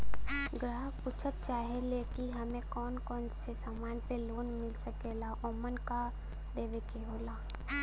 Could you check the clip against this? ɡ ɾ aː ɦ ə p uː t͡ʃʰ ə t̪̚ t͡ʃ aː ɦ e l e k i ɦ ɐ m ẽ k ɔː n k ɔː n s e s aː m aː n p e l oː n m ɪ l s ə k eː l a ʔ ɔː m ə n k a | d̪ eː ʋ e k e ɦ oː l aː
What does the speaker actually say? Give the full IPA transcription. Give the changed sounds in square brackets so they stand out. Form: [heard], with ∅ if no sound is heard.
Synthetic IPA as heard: ɡ ɾ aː ɦ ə p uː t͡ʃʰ ə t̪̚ t͡ʃ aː ɦ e l e k i ɦ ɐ m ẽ k ɔː n k ɔː n s e s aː m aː n p e l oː n m ɪ l s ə k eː l a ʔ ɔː m ə n k a | d̪ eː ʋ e k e ɦ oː l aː